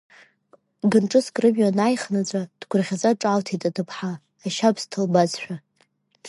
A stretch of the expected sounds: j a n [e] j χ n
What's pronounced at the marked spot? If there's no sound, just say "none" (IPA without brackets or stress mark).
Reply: a